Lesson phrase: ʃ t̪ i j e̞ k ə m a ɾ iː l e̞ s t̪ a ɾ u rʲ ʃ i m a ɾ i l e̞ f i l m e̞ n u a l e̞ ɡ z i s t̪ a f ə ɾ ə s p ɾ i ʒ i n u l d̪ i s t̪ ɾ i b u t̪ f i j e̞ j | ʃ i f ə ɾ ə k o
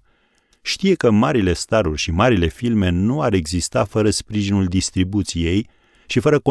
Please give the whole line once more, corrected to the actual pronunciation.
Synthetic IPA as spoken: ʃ t̪ i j e̞ k ə m a ɾ i l e̞ s t̪ a ɾ u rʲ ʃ i m a ɾ i l e̞ f i l m e̞ n u a ɾ e̞ ɡ z i s t̪ a f ə ɾ ə s p ɾ i ʒ i n u l d̪ i s t̪ ɾ i b u t̪ s i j e̞ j | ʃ i f ə ɾ ə k o